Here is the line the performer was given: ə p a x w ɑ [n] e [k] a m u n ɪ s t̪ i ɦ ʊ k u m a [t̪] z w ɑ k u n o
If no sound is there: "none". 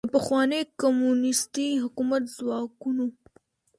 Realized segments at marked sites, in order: n, k, t̪

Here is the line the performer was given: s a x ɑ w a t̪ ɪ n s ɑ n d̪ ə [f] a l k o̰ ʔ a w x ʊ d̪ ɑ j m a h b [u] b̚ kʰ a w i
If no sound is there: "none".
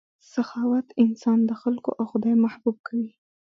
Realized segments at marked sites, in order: x, u

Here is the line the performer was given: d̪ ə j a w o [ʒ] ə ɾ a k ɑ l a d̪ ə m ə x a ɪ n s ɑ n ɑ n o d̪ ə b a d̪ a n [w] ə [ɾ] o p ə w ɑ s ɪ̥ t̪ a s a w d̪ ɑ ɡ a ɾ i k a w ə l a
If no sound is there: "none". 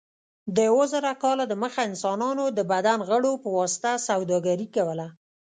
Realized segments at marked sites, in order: z, ɣ, ɽ

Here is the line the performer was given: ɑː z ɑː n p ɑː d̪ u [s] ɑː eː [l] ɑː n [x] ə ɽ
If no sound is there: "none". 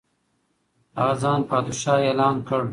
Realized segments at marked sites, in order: ʃ, l, k

